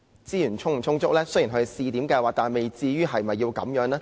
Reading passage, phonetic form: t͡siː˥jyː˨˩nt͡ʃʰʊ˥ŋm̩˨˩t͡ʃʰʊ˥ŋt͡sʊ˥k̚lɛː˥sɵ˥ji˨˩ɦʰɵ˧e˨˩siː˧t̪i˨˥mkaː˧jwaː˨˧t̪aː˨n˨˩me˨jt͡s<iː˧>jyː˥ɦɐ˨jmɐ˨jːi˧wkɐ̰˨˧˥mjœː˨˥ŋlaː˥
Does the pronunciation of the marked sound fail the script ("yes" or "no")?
no